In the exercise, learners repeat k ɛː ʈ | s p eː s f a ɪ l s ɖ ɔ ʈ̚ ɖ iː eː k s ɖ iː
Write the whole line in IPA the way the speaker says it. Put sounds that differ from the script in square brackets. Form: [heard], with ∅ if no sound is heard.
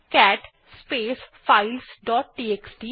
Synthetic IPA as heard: k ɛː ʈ | s p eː s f a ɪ l s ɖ [ɔː] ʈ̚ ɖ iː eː k s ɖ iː